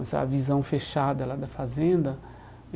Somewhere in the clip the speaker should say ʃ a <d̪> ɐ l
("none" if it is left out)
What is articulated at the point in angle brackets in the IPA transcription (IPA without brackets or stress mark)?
d̪